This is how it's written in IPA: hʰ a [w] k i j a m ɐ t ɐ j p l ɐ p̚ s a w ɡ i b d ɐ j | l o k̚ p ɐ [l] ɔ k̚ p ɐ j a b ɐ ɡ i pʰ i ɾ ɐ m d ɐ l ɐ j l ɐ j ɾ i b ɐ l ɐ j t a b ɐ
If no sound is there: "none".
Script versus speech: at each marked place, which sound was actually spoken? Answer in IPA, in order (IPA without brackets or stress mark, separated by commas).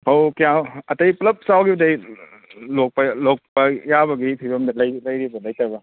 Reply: w, l